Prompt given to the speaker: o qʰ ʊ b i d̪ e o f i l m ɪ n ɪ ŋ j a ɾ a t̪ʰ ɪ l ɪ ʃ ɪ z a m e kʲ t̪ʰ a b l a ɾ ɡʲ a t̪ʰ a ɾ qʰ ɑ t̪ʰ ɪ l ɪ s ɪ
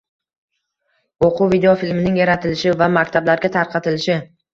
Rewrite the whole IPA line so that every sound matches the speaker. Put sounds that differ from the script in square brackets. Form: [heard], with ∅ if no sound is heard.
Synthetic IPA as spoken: o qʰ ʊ [v] i d̪ e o f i l m ɪ n ɪ ŋ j a ɾ a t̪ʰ ɪ l ɪ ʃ ɪ [v] a m [a] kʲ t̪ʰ a b l a ɾ ɡʲ a t̪ʰ a ɾ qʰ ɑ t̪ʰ ɪ l ɪ [ʃ] ɪ